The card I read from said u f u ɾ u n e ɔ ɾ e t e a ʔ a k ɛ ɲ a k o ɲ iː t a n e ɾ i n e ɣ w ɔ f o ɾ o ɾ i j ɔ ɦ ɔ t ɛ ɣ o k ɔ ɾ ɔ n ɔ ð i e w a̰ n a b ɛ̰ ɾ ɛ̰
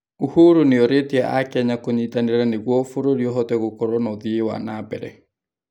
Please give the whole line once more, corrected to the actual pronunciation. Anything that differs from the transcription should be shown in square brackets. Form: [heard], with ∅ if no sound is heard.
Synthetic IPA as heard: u [h] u ɾ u n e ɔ ɾ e t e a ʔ a k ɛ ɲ a k o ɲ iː t a n e ɾ [a] n e ɣ w ɔ f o ɾ o ɾ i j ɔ ɦ ɔ t ɛ ɣ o k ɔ ɾ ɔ n ɔ ð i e w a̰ n a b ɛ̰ ɾ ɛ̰